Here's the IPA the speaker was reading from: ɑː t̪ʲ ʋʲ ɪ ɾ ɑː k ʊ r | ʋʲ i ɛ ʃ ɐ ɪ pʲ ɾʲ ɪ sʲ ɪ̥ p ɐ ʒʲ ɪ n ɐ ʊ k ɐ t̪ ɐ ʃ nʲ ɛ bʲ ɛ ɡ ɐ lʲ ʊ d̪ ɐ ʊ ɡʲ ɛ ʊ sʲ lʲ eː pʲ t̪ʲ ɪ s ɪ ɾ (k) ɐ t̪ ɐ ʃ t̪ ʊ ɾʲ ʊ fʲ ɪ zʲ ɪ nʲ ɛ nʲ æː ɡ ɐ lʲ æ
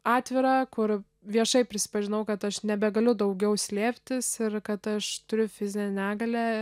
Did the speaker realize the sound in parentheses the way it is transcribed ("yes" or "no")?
yes